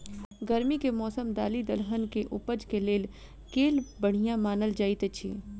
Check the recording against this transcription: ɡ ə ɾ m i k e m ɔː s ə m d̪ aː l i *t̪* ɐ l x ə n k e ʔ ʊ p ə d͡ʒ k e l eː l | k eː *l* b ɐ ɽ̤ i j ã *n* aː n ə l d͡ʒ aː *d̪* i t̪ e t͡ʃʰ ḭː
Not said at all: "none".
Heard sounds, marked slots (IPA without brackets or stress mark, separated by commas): d̪, l, m, none